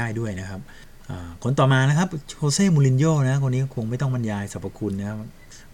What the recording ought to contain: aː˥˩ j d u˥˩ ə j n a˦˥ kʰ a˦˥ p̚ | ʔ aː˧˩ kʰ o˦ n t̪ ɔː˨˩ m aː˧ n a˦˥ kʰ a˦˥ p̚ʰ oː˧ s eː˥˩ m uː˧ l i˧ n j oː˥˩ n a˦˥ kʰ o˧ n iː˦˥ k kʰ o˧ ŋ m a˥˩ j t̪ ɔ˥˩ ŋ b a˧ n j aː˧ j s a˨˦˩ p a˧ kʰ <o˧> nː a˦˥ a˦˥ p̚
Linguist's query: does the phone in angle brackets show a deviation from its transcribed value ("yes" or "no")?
yes